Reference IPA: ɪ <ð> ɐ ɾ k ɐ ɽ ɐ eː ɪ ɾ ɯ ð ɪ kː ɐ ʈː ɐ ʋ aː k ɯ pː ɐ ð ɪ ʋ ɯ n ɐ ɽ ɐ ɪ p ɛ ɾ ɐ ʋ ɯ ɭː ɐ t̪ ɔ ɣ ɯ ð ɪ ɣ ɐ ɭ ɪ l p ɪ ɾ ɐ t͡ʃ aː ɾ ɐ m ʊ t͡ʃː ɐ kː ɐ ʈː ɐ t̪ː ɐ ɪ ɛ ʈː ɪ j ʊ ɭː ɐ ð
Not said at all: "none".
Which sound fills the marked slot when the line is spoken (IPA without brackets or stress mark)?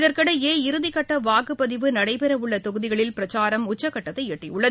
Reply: ð